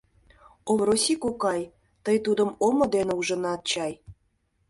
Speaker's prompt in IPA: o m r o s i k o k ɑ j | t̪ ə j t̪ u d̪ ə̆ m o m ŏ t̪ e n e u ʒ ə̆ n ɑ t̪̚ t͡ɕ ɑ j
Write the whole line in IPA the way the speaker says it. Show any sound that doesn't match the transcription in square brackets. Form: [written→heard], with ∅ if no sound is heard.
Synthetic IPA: o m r o s i k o k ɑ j | t̪ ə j t̪ u d̪ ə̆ m o m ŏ [t̪→d̪] e n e u ʒ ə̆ n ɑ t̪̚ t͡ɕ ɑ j